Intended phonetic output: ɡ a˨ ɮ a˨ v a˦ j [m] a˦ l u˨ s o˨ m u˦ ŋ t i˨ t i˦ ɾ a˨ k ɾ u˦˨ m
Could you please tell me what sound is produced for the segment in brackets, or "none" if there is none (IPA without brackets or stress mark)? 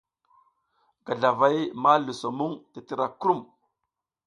m